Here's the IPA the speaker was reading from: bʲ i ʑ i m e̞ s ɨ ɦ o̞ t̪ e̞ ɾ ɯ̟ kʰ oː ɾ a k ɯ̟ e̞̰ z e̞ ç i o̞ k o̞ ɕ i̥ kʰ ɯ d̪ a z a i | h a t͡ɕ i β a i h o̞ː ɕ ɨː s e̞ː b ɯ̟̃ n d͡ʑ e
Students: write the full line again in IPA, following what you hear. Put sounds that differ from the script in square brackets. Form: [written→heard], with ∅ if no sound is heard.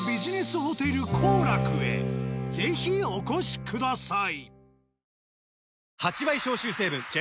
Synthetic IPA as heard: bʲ i ʑ i [m→n] e̞ s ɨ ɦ o̞ t̪ e̞ ɾ ɯ̟ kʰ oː ɾ a k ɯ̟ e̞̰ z e̞ ç i o̞ k o̞ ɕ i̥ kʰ ɯ d̪ a [z→s] a i | h a t͡ɕ i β a i [h→ɕ] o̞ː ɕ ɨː s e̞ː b ɯ̟̃ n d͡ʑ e